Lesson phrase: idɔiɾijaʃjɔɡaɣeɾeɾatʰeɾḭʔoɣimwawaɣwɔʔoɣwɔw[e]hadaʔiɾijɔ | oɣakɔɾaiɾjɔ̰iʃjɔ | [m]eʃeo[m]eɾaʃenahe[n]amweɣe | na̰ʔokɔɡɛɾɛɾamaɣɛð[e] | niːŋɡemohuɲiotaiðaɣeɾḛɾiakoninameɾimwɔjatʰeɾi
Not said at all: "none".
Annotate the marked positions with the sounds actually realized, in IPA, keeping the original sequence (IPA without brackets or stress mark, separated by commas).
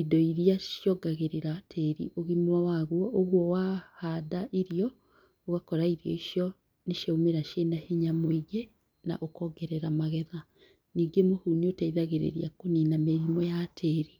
a, n, m, ɲ, a